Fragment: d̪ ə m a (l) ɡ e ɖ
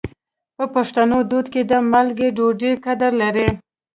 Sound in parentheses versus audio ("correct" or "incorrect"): correct